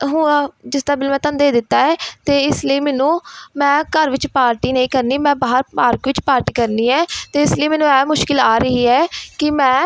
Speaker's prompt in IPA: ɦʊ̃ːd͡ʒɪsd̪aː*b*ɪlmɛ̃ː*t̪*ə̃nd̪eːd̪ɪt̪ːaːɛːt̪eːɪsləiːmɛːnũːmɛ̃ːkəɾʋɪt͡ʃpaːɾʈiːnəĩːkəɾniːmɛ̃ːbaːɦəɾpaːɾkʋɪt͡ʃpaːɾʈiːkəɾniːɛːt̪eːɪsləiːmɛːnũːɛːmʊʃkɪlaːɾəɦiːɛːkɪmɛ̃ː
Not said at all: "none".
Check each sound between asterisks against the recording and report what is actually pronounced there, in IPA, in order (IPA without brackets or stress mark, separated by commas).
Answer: b, t̪